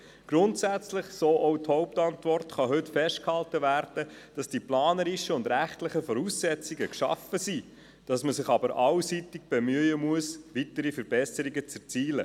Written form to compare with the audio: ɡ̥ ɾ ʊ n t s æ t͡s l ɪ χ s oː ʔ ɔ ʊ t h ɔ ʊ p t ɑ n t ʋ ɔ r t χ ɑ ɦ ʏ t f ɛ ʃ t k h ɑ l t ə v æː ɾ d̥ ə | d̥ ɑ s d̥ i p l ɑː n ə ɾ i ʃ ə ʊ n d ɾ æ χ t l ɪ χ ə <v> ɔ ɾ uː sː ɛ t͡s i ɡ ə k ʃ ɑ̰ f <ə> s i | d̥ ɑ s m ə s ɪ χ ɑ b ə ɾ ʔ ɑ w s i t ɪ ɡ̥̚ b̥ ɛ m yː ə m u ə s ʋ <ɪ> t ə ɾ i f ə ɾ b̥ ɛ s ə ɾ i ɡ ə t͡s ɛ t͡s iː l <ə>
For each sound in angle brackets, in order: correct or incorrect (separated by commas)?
incorrect, correct, incorrect, correct